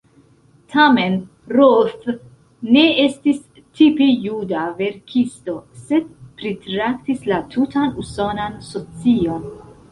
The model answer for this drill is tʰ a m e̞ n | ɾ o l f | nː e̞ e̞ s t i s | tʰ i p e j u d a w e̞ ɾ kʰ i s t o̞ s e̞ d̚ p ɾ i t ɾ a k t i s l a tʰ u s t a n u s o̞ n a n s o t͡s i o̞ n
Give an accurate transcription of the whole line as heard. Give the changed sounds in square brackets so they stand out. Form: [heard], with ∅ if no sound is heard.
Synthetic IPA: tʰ a m e̞ n | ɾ o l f | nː e̞ e̞ s t i s | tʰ i p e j u d a [v] e̞ ɾ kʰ i s t o̞ s e̞ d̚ p ɾ i t ɾ a k t i s l a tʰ u [∅] t a n u s o̞ n a n s o t͡s i o̞ n

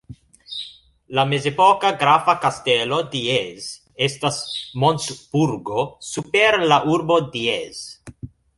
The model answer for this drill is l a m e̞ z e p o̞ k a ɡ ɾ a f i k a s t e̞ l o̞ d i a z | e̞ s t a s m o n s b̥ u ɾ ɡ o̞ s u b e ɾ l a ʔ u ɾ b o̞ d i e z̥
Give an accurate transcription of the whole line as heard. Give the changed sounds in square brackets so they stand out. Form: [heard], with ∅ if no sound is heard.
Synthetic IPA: l a m e̞ z e p o̞ k a ɡ ɾ a f [a] k a s t e̞ l o̞ d i [e] z | e̞ s t a s m o n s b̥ u ɾ ɡ o̞ s u [p] e ɾ l a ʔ u ɾ b o̞ d i e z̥

